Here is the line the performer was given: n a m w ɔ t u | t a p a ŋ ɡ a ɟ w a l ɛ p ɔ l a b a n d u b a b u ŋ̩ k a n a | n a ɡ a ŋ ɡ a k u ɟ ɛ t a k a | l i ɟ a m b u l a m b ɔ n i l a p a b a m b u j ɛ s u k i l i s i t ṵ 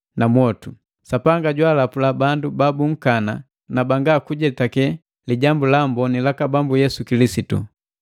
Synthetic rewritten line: n a m w ɔ t u | s a p a ŋ ɡ a ɟ w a l a p u l a b a n d u b a b u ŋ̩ k a n a | n a b a ŋ ɡ a k u ɟ ɛ t a k ɛ | l i ɟ a m b u l a m b ɔ n i l a k a b a m b u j ɛ s u k i l i s i t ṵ